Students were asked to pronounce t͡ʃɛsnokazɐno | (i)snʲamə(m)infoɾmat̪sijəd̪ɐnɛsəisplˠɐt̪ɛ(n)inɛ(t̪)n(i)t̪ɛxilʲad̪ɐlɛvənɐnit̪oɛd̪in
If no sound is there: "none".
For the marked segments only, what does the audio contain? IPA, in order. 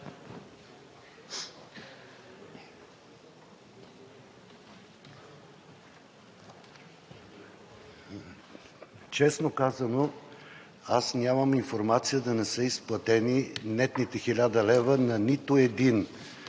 a, m, n, t̪, i

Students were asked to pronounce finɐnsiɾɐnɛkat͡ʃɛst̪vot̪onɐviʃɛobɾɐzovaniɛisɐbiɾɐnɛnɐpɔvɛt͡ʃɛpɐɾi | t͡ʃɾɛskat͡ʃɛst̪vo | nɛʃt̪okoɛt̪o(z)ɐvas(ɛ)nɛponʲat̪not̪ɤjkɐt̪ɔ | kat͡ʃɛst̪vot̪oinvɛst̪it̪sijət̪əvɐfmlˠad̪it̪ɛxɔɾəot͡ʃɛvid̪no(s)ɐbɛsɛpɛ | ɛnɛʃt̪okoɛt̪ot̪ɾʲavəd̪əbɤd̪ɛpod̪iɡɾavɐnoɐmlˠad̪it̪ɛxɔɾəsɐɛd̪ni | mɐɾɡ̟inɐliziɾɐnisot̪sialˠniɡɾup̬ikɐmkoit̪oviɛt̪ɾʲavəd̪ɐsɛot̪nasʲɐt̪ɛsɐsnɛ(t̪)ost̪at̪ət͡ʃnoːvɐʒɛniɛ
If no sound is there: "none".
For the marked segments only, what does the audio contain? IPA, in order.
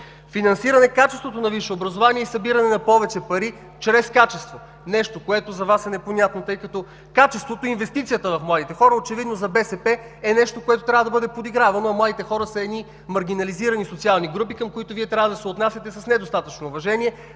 z, ɛ, z, d̪

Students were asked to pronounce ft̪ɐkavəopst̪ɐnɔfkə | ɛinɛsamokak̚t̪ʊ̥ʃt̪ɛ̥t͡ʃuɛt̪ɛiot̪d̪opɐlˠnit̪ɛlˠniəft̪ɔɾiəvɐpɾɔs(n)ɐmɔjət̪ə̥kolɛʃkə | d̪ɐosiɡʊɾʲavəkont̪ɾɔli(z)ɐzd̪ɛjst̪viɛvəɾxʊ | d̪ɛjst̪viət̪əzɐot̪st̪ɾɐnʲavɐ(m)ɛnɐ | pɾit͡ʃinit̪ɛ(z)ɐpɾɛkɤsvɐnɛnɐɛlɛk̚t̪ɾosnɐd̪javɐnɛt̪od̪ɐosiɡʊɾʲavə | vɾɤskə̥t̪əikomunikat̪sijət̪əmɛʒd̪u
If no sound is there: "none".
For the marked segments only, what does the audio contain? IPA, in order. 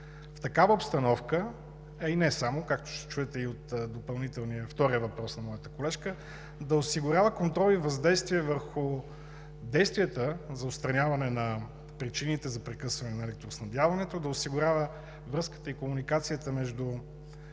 n, v, n, z

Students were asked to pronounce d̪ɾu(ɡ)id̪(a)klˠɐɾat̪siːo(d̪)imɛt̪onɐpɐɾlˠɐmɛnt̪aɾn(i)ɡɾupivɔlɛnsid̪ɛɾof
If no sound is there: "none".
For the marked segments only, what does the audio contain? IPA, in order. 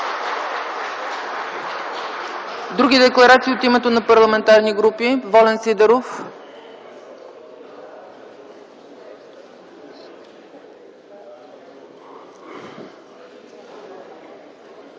ɡ, ɛ, t̪, i

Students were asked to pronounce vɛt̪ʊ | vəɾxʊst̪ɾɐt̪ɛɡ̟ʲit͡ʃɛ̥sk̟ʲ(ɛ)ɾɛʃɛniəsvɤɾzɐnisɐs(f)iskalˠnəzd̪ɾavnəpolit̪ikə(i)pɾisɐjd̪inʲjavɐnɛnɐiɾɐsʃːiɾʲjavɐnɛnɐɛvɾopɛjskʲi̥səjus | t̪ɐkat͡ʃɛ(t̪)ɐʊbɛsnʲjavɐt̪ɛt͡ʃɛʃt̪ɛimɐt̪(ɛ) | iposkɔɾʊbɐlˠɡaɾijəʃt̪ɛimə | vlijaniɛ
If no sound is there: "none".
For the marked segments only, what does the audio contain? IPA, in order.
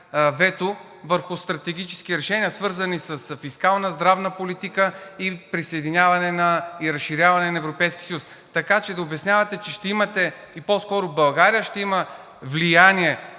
i, f, i, d̪, ɛ

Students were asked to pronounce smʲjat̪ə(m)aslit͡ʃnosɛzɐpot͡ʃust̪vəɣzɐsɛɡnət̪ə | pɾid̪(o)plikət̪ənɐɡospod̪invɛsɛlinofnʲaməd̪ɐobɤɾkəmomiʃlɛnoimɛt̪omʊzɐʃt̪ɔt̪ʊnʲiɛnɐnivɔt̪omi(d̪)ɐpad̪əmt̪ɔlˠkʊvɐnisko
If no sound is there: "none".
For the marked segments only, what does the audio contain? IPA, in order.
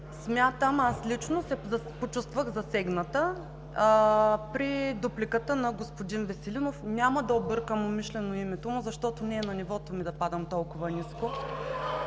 m, u, d̪

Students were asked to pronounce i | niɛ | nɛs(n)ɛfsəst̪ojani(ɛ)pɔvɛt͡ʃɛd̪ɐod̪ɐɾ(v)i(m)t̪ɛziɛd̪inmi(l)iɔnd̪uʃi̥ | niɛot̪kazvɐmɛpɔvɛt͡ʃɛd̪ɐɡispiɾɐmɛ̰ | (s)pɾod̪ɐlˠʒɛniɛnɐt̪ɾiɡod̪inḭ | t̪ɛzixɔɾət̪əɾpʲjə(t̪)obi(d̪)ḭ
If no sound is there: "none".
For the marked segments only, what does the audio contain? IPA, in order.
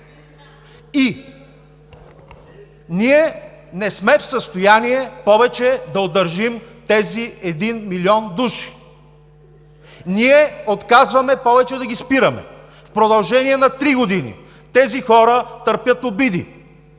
m, ɛ, ʒ, m, l, f, t̪, d̪

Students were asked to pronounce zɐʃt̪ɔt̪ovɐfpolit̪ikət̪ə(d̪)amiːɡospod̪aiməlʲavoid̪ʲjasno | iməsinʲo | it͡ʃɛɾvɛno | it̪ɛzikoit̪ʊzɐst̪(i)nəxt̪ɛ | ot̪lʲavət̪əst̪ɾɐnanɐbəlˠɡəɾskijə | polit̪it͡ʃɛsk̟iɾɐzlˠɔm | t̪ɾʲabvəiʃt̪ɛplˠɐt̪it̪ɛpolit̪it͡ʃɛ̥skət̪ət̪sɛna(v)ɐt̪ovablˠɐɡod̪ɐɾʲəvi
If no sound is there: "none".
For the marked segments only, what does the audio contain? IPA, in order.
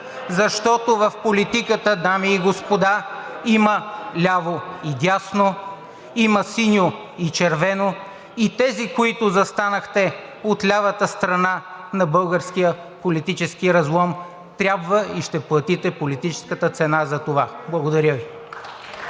d̪, a, z

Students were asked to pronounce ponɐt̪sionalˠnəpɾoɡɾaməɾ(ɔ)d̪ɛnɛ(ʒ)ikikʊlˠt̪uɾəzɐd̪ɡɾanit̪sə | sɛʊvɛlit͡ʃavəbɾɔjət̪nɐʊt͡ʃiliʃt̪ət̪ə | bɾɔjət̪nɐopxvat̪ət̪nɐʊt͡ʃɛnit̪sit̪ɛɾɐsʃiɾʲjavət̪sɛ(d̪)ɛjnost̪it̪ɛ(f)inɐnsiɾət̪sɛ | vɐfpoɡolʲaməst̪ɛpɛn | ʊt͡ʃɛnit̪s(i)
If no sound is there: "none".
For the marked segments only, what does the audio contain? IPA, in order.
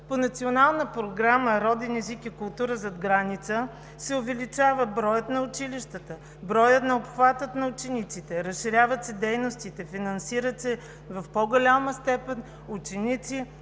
ɔ, z, d̪, f, i

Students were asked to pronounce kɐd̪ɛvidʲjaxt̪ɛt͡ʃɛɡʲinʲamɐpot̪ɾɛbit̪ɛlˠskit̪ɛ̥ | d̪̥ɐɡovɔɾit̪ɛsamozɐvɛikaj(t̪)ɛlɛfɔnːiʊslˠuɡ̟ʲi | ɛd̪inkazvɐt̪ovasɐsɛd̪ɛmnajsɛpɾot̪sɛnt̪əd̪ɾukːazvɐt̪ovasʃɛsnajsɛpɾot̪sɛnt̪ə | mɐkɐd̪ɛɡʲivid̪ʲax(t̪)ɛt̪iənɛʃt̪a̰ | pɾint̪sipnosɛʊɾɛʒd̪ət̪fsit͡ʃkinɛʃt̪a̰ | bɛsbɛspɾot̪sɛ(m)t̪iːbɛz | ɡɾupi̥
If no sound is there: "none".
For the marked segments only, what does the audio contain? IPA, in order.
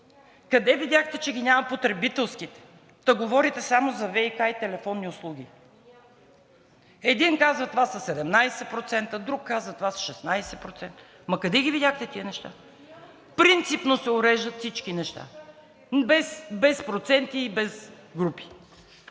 t̪, t̪, n

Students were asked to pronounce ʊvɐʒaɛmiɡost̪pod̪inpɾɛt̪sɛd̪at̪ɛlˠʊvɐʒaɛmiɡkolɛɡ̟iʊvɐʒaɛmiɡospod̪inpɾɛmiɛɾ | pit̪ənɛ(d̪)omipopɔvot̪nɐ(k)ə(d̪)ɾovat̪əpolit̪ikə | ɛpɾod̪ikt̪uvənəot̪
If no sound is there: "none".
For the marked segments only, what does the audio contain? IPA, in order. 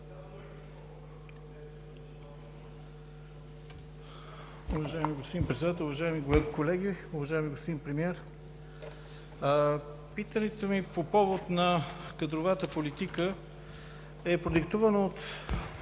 t̪, k, d̪

